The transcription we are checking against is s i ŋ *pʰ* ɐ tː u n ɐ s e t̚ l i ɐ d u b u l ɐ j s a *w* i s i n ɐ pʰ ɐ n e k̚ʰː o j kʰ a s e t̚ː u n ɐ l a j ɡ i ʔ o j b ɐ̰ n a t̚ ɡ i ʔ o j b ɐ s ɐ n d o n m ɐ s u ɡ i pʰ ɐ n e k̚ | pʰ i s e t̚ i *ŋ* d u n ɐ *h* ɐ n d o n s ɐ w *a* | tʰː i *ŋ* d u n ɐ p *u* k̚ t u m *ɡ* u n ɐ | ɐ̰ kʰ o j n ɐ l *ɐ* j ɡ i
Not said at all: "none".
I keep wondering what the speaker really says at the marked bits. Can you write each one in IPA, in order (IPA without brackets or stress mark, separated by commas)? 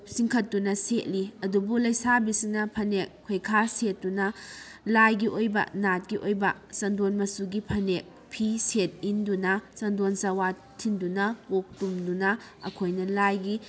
kʰ, b, n, s, a, n, o, d, a